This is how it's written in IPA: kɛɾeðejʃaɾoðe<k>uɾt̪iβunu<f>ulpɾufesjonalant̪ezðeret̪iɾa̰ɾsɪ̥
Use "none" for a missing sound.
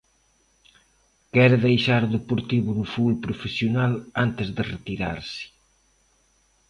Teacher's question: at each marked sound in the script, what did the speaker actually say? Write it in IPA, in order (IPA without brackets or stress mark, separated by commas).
p, f